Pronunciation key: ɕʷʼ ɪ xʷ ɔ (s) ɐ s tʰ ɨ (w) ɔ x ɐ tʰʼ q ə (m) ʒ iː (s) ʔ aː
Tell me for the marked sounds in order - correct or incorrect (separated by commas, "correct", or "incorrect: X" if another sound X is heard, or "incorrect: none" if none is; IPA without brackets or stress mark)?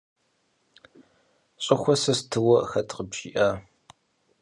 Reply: correct, correct, incorrect: b, incorrect: none